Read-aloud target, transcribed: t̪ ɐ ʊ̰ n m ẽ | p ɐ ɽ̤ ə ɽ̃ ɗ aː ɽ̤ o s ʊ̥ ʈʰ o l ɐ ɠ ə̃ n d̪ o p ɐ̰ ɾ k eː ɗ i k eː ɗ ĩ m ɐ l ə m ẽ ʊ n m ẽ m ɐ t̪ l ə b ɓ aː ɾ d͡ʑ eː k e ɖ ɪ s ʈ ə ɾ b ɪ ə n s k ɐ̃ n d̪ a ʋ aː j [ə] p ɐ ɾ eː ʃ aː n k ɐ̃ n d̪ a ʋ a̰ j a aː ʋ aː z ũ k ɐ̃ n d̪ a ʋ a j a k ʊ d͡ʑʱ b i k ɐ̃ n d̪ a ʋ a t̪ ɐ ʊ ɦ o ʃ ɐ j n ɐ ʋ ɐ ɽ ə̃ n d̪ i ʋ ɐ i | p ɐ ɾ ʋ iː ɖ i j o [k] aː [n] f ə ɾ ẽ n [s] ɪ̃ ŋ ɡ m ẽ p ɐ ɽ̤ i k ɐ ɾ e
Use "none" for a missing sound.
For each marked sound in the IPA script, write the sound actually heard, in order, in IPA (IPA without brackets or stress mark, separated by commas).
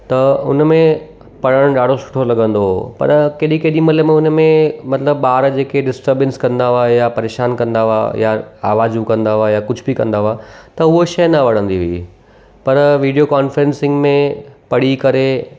a, k, n, s